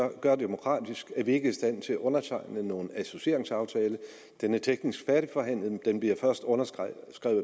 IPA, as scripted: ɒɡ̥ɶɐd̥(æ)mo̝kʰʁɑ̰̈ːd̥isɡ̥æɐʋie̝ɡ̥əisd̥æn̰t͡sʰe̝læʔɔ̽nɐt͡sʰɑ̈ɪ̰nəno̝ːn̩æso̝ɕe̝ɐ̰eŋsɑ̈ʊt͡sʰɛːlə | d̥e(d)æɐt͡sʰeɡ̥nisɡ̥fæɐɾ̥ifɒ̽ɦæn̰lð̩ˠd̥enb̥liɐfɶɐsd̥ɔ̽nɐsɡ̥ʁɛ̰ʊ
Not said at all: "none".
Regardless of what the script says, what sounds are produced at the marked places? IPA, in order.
e, n

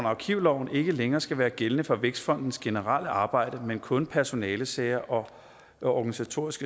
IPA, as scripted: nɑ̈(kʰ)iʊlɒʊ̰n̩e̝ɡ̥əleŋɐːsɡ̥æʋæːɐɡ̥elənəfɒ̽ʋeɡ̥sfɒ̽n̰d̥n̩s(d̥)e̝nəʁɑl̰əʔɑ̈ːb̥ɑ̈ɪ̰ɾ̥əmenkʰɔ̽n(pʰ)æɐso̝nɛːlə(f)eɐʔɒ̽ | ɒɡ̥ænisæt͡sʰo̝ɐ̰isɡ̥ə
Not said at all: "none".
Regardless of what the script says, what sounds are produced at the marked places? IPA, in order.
kʰ, ɡ̥, pʰ, s

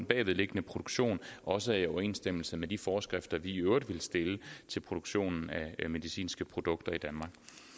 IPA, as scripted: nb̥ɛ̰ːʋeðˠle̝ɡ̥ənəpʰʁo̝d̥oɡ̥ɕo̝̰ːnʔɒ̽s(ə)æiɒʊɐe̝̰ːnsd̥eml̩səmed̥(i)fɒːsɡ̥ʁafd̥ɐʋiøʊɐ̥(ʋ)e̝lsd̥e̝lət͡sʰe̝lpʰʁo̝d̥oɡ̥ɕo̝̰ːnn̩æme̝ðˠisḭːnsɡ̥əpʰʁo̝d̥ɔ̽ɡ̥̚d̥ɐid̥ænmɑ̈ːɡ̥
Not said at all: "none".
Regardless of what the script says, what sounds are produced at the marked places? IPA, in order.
ə, i, ʋ

